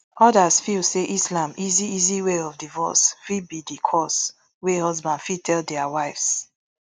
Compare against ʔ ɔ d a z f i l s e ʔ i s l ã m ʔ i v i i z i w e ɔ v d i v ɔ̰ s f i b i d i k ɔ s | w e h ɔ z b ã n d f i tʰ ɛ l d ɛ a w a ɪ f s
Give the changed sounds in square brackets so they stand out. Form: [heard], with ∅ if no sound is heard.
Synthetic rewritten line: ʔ ɔ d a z f i l s e ʔ i s l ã m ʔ i [z] i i z i w e ɔ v d i v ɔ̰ s f i b i d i [kʰ] ɔ s | w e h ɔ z b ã n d f i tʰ ɛ l d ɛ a w a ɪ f s